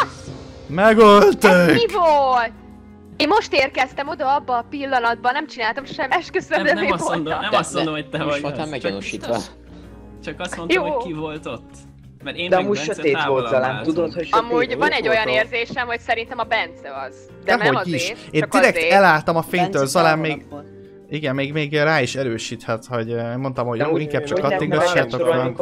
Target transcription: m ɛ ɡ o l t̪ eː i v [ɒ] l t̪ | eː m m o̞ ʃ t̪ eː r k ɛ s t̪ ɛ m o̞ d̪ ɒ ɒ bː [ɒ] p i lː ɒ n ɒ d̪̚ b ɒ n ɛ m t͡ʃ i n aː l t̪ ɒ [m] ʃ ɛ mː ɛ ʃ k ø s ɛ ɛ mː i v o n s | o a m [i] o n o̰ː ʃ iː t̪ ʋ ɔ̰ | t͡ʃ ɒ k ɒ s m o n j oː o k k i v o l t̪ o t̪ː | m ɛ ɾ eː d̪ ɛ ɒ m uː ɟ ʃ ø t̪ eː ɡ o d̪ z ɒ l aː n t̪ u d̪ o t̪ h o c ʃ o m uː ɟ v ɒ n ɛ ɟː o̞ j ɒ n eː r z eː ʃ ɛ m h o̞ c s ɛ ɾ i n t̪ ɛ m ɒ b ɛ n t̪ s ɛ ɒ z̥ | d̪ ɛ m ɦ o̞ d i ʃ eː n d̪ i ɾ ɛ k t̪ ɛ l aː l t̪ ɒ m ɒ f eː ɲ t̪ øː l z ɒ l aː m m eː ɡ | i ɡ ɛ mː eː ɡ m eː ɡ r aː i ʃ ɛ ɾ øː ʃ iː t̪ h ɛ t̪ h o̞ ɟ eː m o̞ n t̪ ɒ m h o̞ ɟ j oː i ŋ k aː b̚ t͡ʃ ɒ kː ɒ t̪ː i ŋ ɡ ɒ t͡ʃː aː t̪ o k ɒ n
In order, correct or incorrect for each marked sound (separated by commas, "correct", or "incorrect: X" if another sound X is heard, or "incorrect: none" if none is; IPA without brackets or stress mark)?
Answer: incorrect: o, incorrect: ɒː, correct, incorrect: ɛ